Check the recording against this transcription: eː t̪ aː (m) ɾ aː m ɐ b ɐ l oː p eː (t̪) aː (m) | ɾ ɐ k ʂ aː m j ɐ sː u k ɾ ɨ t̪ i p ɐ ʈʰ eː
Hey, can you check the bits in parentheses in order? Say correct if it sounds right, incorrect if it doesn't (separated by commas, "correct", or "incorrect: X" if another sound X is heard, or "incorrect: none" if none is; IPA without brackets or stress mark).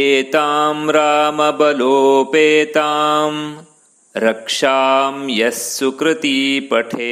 correct, correct, correct